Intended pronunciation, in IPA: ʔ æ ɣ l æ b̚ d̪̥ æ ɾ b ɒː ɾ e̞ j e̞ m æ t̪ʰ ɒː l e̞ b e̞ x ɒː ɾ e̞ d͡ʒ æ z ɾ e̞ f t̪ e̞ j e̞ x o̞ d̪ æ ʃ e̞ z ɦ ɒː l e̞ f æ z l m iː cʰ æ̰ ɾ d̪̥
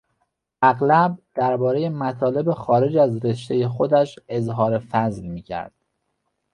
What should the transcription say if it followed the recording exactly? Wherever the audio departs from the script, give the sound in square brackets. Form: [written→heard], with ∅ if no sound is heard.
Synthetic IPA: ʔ æ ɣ l æ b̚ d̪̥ æ ɾ b ɒː ɾ e̞ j e̞ m æ t̪ʰ ɒː l e̞ b e̞ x ɒː ɾ e̞ d͡ʒ æ z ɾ e̞ [f→ʃ] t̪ e̞ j e̞ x o̞ d̪ æ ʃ e̞ z ɦ ɒː [l→ɾ] e̞ f æ z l m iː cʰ æ̰ ɾ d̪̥